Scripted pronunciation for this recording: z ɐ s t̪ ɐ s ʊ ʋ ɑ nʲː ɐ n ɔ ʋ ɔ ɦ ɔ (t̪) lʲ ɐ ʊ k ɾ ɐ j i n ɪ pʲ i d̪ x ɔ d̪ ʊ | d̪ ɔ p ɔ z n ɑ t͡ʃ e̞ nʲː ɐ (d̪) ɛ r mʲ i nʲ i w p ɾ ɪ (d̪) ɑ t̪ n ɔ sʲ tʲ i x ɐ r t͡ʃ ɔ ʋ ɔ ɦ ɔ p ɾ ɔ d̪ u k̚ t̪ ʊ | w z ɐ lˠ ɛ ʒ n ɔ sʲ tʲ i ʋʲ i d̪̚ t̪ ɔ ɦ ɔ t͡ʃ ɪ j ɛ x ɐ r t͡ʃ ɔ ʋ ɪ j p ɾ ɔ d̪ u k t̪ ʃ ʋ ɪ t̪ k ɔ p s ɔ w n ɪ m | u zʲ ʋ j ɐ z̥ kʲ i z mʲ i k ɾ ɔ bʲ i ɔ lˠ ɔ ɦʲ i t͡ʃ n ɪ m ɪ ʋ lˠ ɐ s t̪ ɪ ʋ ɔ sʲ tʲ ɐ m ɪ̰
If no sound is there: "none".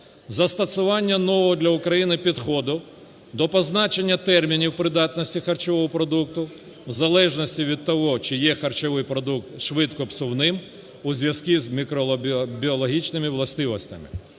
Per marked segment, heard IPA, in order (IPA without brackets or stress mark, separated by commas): d̪, t̪, d̪